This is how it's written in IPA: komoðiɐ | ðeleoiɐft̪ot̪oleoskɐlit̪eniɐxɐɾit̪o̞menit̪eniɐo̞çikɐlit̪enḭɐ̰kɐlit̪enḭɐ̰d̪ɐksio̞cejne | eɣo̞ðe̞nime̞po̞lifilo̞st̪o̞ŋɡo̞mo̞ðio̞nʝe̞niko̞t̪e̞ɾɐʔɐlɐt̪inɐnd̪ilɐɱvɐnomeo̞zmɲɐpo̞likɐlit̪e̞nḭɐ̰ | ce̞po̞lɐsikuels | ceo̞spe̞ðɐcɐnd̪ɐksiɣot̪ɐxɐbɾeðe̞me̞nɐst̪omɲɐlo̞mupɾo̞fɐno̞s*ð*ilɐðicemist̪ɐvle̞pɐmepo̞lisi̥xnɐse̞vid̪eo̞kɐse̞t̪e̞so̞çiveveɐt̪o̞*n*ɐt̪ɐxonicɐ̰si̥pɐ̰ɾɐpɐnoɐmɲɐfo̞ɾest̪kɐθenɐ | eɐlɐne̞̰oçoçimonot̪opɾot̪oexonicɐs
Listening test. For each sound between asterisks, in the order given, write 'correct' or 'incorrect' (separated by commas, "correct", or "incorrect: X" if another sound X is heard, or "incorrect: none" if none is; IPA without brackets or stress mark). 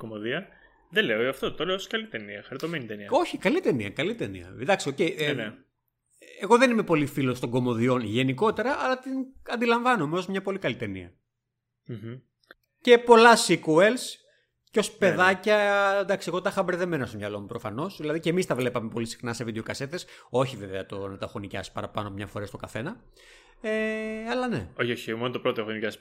correct, correct